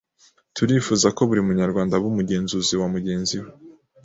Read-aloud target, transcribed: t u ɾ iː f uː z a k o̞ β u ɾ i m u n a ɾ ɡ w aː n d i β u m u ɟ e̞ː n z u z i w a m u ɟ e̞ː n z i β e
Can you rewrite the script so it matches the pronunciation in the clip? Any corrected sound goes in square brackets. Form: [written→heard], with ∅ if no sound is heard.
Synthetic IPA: t u ɾ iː f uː z a k o̞ β u ɾ i m u [n→ɲ] a ɾ ɡ w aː n d [i→a] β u m u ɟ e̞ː n z u z i w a m u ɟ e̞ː n z i [β→w] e